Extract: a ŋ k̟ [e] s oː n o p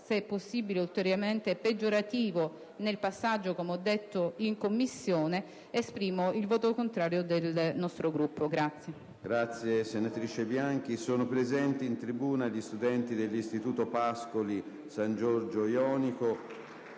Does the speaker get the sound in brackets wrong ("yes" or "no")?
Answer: yes